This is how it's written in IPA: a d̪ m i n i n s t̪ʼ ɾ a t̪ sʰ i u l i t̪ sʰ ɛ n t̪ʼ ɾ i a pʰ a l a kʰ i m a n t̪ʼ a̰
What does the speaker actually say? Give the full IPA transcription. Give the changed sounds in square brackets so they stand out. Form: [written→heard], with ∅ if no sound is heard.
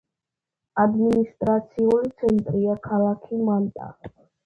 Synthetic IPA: a d̪ m i n i [n→∅] s t̪ʼ ɾ a t̪ sʰ i u l i t̪ sʰ ɛ n t̪ʼ ɾ i a [pʰ→kʰ] a l a kʰ i m a n t̪ʼ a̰